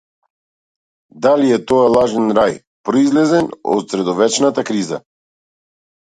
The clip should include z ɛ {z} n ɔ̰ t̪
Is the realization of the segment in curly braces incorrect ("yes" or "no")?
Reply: yes